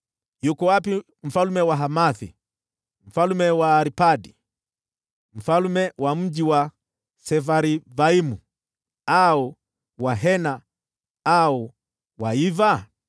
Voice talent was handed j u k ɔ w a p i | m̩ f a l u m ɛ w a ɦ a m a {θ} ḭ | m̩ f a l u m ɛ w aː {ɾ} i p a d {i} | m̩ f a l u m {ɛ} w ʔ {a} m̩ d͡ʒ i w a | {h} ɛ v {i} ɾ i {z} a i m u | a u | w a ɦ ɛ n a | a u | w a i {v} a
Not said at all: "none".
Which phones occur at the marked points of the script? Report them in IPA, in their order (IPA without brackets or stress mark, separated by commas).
θ, ɾ, i, ɛ, a, s, a, v, v